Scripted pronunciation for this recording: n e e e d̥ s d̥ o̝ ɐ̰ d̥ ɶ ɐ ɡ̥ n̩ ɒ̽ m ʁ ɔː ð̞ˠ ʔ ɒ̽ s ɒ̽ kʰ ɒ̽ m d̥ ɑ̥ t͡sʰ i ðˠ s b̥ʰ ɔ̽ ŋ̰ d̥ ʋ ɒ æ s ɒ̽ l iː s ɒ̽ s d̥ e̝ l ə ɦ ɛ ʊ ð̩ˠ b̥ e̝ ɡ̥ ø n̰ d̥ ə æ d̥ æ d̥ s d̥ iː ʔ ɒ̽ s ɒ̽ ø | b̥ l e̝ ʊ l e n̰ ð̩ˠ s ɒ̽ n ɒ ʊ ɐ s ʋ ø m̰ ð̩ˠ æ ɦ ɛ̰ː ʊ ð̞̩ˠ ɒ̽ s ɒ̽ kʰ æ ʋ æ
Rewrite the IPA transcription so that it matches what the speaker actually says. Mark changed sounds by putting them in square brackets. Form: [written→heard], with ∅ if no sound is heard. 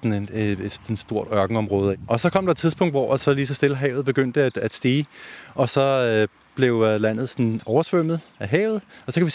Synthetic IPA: n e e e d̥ s d̥ o̝ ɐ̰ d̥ ɶ ɐ ɡ̥ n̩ ɒ̽ m ʁ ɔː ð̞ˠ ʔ ɒ̽ s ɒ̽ kʰ ɒ̽ m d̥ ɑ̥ t͡sʰ i ðˠ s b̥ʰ ɔ̽ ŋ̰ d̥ ʋ ɒ æ s ɒ̽ l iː s ɒ̽ s d̥ e̝ l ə ɦ ɛ ʊ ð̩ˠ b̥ e̝ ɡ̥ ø n̰ d̥ ə æ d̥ æ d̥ s d̥ iː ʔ ɒ̽ s ɒ̽ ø | b̥ l e̝ ʊ l [e→æ] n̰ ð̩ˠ s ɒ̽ n ɒ ʊ ɐ s ʋ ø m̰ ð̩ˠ æ ɦ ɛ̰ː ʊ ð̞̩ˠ ɒ̽ s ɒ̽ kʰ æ ʋ [æ→i]